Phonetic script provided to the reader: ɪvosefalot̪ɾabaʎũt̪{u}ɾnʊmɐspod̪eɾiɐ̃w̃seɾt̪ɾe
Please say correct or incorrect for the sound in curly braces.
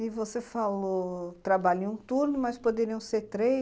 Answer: correct